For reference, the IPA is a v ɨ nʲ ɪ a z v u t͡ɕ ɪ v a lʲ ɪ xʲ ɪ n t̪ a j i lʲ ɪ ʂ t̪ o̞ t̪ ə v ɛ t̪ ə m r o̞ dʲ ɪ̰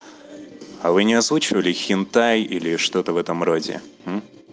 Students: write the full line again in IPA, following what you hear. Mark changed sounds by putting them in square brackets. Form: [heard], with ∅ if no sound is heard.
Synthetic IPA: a v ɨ nʲ ɪ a z v u t͡ɕ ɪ v [ə] lʲ ɪ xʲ ɪ n t̪ a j i lʲ ɪ ʂ t̪ o̞ t̪ ə v ɛ t̪ ə m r o̞ dʲ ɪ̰